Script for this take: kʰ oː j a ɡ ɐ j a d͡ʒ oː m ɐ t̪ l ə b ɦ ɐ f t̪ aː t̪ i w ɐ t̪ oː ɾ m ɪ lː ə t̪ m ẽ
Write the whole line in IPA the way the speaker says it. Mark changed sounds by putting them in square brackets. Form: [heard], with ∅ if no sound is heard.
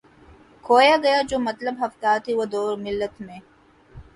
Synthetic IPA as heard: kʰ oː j a ɡ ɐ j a d͡ʒ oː m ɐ t̪ l ə b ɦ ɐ f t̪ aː t̪ i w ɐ [d̪] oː ɾ m ɪ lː ə t̪ m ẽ